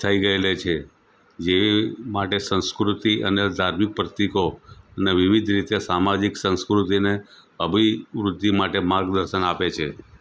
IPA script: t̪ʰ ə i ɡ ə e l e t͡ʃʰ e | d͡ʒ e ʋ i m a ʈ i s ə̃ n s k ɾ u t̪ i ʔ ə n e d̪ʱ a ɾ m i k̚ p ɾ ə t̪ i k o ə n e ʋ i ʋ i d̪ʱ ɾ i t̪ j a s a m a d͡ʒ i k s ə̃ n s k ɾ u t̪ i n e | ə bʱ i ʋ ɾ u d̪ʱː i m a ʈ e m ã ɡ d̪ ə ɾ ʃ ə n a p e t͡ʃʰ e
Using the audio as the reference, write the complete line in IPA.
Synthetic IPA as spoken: t̪ʰ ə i ɡ ə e l e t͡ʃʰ e | d͡ʒ e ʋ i m a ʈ e s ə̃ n s k ɾ u t̪ i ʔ ə n e d̪ʱ a ɾ m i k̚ p ɾ ə t̪ i k o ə n e ʋ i ʋ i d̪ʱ ɾ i t̪ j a s a m a d͡ʒ i k s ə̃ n s k ɾ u t̪ i n e | ə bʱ i ʋ ɾ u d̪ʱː i m a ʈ e m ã ɡ d̪ ə ɾ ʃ ə n a p e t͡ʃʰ e